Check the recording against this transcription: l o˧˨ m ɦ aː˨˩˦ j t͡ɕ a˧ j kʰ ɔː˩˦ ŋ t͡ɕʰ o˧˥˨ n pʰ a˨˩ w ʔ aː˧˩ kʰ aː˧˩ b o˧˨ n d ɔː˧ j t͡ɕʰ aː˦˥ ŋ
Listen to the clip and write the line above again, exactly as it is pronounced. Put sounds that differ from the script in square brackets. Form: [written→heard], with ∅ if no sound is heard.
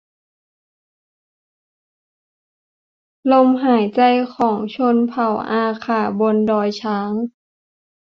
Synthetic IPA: l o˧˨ m ɦ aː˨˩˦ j t͡ɕ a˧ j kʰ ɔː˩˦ ŋ t͡ɕʰ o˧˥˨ n pʰ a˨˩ w ʔ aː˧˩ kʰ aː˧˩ b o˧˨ n d ɔː˧ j t͡ɕʰ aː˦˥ ŋ